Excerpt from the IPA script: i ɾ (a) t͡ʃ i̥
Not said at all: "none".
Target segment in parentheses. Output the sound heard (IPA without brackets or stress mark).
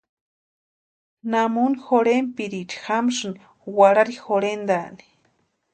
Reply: i